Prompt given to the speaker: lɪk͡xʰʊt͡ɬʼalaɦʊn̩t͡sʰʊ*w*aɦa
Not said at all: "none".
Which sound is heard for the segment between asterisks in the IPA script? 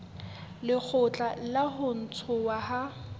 w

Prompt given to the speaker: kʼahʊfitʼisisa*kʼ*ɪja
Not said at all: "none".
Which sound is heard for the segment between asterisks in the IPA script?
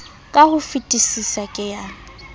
kʼ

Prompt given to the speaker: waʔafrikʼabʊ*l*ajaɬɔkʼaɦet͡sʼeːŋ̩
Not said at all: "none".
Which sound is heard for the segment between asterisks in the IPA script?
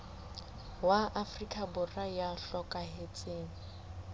r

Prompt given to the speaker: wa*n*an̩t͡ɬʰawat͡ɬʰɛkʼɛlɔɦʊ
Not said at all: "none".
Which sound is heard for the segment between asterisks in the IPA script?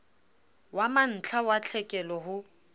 m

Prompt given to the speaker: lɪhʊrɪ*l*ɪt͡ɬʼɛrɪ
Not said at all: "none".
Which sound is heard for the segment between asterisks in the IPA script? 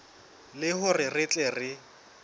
r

